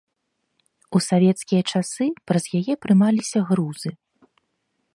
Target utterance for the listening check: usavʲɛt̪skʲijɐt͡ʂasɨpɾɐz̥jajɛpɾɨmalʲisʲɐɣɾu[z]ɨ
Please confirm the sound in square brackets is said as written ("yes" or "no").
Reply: yes